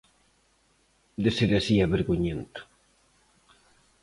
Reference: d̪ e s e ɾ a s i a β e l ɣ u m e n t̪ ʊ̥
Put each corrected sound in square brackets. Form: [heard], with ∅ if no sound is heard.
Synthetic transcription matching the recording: d̪ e s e ɾ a s i a β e [ɾ] ɣ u [ɲ] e n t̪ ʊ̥